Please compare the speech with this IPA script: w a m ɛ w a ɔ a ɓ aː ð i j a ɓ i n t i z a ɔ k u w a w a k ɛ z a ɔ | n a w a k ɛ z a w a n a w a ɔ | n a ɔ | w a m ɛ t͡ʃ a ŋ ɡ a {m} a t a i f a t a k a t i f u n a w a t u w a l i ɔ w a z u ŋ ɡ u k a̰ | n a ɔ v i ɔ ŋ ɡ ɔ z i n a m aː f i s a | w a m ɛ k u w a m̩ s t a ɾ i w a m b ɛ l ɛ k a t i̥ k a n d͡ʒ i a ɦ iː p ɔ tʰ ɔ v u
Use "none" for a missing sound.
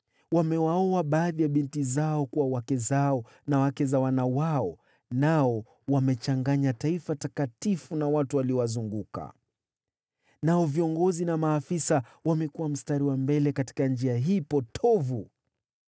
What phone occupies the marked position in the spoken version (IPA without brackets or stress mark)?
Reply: ɲ